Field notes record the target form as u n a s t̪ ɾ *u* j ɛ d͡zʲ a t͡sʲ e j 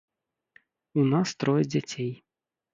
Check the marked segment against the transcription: incorrect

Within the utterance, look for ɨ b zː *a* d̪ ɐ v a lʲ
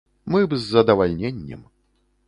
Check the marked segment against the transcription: incorrect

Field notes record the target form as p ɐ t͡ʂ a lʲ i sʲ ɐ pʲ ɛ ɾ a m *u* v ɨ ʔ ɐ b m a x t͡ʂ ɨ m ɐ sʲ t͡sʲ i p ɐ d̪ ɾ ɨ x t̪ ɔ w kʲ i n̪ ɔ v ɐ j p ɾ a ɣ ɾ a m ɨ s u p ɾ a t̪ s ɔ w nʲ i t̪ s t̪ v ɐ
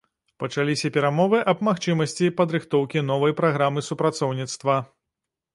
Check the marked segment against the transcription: incorrect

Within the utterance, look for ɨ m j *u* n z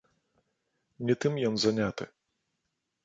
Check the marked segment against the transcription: incorrect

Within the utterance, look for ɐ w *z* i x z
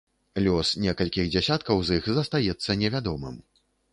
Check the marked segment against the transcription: correct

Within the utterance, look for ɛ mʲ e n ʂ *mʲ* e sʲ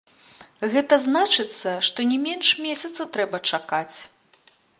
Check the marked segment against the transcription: correct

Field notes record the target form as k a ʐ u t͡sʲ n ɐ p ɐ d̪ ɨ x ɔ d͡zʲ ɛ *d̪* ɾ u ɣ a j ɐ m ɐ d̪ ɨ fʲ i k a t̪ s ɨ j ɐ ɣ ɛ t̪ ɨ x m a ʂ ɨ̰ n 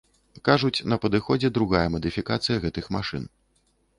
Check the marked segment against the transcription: correct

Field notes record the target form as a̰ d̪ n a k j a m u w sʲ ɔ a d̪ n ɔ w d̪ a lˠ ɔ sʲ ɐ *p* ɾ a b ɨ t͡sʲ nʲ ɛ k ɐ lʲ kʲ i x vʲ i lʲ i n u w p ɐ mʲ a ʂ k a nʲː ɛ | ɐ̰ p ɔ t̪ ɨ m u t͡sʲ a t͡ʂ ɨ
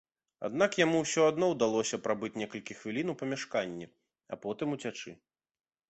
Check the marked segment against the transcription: correct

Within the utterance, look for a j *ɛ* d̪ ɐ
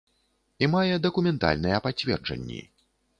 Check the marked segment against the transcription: correct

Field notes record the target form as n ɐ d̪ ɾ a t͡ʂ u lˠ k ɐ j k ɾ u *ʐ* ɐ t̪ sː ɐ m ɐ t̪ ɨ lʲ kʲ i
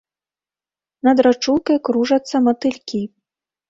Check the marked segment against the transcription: correct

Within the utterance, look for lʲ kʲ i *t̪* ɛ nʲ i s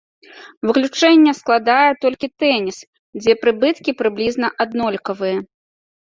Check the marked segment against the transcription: correct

